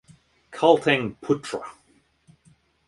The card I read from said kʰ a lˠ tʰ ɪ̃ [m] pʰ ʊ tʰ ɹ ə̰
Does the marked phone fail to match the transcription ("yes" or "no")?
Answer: yes